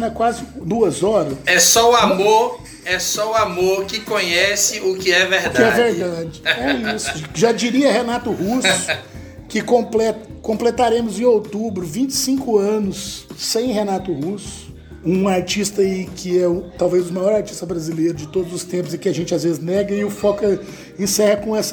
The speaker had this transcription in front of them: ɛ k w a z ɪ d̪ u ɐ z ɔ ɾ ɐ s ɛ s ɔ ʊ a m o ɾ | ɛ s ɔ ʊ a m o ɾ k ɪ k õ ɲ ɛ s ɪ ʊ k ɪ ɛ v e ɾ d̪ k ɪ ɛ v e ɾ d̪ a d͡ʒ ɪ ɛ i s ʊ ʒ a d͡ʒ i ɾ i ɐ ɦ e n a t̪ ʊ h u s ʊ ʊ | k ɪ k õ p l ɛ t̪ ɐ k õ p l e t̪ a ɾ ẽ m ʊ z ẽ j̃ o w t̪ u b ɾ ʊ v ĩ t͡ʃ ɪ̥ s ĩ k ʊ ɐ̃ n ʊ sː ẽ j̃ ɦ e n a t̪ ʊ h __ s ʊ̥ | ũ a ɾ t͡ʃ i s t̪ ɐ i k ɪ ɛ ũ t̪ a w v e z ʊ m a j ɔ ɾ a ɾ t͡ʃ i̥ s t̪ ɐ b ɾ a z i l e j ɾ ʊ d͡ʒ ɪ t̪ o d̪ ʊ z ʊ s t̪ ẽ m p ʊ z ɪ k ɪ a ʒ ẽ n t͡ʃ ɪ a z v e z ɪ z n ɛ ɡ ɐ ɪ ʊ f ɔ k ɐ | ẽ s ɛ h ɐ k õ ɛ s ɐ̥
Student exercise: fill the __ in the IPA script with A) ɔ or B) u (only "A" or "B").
B